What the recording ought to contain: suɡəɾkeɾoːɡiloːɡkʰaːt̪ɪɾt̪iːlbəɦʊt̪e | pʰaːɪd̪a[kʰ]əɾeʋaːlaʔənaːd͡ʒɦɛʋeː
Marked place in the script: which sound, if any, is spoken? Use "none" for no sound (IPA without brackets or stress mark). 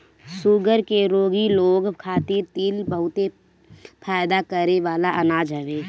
k